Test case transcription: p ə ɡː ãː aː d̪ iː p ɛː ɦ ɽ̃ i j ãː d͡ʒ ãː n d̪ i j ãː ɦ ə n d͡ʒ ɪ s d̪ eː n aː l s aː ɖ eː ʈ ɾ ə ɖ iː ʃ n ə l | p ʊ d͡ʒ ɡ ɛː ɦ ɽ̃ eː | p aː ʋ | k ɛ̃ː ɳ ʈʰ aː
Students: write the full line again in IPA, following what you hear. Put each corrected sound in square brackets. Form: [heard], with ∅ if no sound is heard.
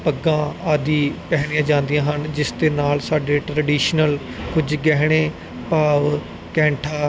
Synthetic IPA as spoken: p ə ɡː ãː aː d̪ iː p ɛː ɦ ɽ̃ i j ãː d͡ʒ ãː n d̪ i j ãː ɦ ə n d͡ʒ ɪ s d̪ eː n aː l s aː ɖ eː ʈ ɾ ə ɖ iː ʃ n ə l | [k] ʊ d͡ʒ ɡ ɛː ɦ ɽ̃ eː | p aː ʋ | k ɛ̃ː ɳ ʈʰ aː